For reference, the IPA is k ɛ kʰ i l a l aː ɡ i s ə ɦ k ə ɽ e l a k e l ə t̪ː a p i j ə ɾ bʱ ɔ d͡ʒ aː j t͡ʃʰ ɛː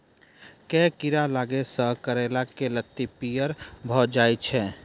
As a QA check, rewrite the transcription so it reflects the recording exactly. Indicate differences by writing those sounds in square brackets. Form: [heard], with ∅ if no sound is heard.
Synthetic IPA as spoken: k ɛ [k] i [ɾ] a l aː ɡ [e] s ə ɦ k ə [ɾ] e l a k e l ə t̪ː [i] p i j ə ɾ bʱ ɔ d͡ʒ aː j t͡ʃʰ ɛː